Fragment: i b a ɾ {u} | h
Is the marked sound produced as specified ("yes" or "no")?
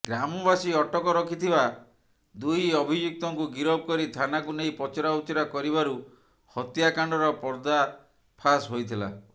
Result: yes